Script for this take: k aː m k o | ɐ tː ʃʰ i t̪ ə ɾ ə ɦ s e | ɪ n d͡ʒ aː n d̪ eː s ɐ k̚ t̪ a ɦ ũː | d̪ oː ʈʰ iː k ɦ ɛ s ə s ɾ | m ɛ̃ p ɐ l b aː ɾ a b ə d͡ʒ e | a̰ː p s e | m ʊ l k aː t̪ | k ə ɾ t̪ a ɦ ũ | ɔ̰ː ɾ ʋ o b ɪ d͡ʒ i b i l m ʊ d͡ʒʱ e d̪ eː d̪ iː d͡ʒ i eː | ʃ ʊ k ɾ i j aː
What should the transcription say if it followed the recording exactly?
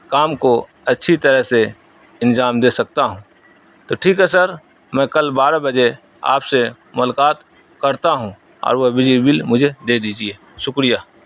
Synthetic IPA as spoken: k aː m k o | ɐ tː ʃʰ i t̪ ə ɾ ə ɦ s e | ɪ n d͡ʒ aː m d̪ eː s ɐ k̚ t̪ a ɦ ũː | t̪ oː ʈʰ iː k ɦ ɛ s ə ɾ | m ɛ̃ k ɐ l b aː ɾ a b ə d͡ʒ e | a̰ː p s e | m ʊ l k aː t̪ | k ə ɾ t̪ a ɦ ũ | ɔ̰ː ɾ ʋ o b ɪ d͡ʒ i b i l m ʊ d͡ʒʱ e d̪ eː d̪ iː d͡ʒ i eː | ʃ ʊ k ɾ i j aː

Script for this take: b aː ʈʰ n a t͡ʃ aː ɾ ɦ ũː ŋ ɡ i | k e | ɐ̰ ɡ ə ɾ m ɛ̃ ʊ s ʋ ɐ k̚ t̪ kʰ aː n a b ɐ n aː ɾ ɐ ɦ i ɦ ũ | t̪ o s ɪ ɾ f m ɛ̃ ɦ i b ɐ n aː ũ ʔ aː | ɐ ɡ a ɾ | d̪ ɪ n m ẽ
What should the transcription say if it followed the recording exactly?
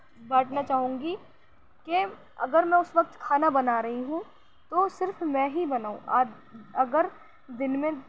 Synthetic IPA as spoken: b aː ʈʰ n a t͡ʃ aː ɦ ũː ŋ ɡ i | k e | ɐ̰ ɡ ə ɾ m ɛ̃ ʊ s ʋ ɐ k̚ t̪ kʰ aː n a b ɐ n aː ɾ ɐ ɦ i ɦ ũ | t̪ o s ɪ ɾ f m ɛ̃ ɦ i b ɐ n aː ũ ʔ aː | ɐ ɡ ə ɾ | d̪ ɪ n m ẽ

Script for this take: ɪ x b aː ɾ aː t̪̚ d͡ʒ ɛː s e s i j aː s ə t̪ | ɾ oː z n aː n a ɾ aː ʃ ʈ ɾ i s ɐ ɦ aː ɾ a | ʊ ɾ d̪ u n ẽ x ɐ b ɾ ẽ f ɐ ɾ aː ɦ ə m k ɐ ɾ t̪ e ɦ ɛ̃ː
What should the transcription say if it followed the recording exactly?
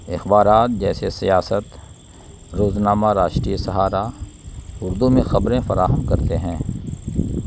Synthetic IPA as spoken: ɪ x b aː ɾ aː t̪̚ d͡ʒ ɛː s e s i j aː s ə t̪ | ɾ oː z n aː m a ɾ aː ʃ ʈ ɾ i s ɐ ɦ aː ɾ a | ʊ ɾ d̪ u m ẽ x ɐ b ɾ ẽ f ɐ ɾ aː ɦ ə m k ɐ ɾ t̪ e ɦ ɛ̃ː

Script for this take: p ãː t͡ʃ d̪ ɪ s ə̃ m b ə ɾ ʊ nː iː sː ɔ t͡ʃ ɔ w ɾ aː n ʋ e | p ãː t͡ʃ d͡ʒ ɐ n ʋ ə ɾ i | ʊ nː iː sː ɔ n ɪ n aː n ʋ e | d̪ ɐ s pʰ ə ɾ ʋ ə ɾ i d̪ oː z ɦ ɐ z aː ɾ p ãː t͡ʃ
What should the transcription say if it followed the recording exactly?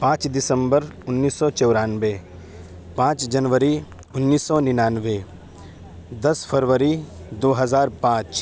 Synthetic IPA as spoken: p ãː t͡ʃ d̪ ɪ s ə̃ m b ə ɾ ʊ nː iː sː ɔ t͡ʃ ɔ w ɾ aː n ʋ e | p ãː t͡ʃ d͡ʒ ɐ n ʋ ə ɾ i | ʊ nː iː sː ɔ n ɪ n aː n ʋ e | d̪ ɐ s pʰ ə ɾ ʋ ə ɾ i d̪ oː ɦ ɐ z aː ɾ p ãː t͡ʃ

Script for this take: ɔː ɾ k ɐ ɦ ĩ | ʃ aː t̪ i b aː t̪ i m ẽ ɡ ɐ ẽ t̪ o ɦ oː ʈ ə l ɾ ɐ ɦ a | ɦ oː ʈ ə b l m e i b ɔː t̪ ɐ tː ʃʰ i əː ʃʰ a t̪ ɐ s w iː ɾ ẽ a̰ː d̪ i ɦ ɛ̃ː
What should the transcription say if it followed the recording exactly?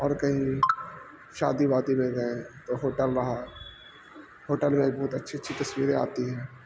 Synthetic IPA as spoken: ɔː ɾ k ɐ ɦ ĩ | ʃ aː d̪ i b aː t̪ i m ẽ ɡ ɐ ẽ t̪ o ɦ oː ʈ ə l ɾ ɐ ɦ a | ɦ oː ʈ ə l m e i b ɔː t̪ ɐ tː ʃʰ i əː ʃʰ i t̪ ɐ s w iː ɾ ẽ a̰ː t̪ i ɦ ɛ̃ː

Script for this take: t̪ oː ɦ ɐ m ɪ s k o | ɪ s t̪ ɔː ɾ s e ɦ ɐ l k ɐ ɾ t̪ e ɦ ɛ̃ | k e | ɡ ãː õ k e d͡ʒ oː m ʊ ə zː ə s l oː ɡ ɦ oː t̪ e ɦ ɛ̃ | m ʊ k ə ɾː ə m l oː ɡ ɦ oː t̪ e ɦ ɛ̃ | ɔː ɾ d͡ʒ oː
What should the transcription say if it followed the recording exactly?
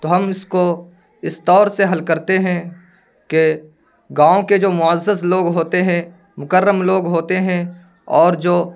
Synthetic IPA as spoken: t̪ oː ɦ ɐ m ɪ s k o | ɪ s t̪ ɔː ɾ s e ɦ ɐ l k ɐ ɾ t̪ e ɦ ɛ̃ | k e | ɡ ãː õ k e d͡ʒ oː m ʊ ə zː ə s l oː ɡ ɦ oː t̪ e ɦ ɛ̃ | m ʊ k ə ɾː ə m l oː ɡ ɦ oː t̪ e ɦ ɛ̃ | ɔː ɾ d͡ʒ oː

